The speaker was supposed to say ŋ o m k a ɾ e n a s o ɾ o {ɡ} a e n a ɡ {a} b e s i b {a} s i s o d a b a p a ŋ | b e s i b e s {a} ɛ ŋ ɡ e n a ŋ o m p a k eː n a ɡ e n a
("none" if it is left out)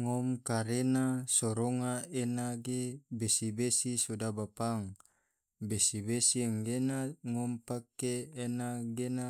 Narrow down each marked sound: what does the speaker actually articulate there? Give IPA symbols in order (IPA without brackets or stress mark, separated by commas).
ŋ, e, e, i